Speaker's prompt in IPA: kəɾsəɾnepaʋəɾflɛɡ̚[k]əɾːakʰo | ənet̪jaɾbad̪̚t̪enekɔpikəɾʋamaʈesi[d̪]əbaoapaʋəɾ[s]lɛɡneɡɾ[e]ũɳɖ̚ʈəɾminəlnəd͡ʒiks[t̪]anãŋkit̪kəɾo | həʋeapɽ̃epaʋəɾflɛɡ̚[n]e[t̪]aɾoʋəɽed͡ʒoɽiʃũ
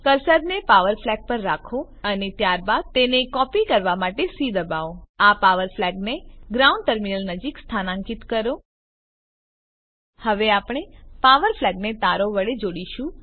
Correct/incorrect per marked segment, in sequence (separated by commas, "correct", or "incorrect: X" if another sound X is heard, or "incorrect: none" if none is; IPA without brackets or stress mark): incorrect: p, correct, incorrect: f, incorrect: a, incorrect: t̪ʰ, correct, correct